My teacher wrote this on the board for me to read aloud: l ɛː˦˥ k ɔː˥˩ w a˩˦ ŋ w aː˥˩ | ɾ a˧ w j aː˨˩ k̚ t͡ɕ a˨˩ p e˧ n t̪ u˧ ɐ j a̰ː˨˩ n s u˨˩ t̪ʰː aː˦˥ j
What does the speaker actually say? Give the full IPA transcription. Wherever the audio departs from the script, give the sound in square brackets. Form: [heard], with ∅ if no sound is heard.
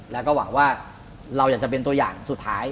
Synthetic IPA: l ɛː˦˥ k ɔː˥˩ w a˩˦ ŋ w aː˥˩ | ɾ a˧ w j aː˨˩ k̚ t͡ɕ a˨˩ p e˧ n t̪ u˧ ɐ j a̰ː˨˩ [ŋ] s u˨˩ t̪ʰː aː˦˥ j

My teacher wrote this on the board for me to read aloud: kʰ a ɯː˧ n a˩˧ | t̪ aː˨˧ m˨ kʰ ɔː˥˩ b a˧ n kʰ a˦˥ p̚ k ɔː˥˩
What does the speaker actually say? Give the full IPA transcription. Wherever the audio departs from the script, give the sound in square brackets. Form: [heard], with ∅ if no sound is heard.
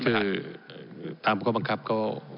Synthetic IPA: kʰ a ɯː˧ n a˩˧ | t̪ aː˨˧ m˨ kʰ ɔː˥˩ b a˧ [ŋ] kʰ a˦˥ p̚ k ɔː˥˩

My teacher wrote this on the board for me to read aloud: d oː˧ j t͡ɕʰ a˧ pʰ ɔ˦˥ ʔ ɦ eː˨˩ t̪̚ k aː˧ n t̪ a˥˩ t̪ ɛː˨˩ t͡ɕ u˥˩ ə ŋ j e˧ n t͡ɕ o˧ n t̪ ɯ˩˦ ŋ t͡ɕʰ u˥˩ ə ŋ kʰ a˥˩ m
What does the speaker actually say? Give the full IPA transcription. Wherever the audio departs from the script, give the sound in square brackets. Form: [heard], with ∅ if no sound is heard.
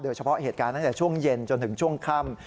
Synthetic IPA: d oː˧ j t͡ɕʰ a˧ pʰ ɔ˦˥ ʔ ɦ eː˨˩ t̪̚ k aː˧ n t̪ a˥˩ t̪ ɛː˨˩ [t͡ɕʰ] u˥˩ ə ŋ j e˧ n t͡ɕ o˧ n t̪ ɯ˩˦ ŋ t͡ɕʰ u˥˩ ə ŋ kʰ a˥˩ m

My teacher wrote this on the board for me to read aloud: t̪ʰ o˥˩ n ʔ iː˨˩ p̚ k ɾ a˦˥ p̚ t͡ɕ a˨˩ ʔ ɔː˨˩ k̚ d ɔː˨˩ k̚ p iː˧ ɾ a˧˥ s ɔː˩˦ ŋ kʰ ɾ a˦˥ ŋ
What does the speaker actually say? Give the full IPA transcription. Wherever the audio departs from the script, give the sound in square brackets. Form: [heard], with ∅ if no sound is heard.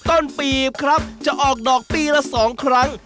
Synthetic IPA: [t̪] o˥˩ n [p] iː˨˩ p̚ [kʰ] ɾ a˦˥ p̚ t͡ɕ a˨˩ ʔ ɔː˨˩ k̚ d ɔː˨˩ k̚ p iː˧ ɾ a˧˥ s ɔː˩˦ ŋ kʰ ɾ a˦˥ ŋ

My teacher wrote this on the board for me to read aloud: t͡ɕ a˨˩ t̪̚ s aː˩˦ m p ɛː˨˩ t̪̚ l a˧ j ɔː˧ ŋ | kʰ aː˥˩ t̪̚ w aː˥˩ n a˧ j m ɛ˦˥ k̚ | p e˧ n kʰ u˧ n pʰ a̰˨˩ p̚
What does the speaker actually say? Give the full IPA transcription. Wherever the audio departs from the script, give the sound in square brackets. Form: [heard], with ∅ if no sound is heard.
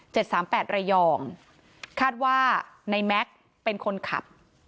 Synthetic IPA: t͡ɕ [e˨˩] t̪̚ s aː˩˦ m p ɛː˨˩ t̪̚ [ɾ] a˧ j ɔː˧ ŋ | kʰ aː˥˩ t̪̚ w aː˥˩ n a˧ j m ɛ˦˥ k̚ | p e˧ n kʰ [o˧] n [kʰ] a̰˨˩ p̚

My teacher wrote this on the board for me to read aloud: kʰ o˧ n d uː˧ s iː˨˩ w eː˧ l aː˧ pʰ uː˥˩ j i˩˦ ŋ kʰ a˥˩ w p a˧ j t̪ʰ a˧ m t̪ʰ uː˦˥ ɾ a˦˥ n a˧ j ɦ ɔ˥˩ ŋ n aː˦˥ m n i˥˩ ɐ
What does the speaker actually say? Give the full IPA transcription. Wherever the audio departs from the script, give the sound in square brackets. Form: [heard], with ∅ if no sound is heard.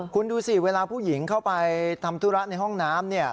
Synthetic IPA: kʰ [u˧] n d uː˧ s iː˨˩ w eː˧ l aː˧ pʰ uː˥˩ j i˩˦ ŋ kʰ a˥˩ w p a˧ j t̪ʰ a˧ m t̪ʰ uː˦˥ ɾ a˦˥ n a˧ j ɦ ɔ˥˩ ŋ n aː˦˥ m n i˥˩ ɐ

